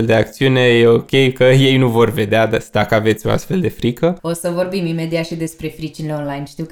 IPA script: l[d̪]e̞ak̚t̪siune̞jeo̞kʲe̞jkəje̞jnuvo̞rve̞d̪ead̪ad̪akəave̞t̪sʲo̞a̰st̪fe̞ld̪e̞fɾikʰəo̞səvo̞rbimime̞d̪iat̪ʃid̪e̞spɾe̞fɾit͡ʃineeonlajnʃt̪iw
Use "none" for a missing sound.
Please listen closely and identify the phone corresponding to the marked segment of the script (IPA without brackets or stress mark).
d̪